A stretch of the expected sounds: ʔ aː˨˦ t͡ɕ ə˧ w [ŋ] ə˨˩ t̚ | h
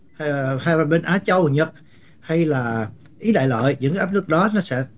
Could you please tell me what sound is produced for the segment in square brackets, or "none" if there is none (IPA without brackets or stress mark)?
ɲ